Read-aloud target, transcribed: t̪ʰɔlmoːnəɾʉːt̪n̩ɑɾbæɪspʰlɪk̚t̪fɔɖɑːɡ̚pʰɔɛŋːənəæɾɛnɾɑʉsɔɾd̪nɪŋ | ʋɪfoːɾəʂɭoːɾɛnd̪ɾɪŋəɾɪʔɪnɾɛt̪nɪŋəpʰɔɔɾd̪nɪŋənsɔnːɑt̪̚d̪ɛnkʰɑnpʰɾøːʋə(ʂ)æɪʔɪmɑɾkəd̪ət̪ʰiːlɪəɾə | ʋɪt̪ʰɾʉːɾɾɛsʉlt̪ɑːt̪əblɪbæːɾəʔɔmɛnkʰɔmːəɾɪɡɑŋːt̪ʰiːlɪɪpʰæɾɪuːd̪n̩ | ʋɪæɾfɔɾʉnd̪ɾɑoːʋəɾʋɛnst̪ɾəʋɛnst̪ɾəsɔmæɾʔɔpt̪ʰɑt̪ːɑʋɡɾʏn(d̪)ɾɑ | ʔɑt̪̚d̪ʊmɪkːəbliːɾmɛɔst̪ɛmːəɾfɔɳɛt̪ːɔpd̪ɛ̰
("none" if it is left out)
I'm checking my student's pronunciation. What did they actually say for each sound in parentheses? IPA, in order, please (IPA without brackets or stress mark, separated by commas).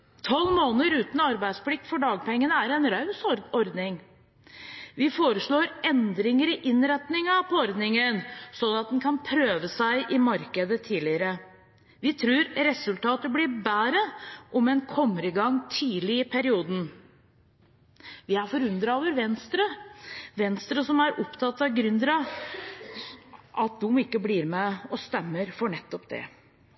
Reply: s, d̪